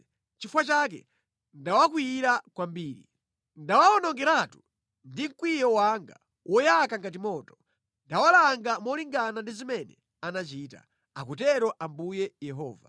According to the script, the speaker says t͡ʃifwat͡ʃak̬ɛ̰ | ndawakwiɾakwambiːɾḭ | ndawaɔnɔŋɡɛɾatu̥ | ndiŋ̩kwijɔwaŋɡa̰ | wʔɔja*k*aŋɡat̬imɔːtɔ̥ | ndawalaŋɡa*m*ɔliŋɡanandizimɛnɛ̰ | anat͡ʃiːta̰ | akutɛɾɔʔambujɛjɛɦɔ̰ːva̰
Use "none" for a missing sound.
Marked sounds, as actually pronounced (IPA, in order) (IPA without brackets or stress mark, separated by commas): k, m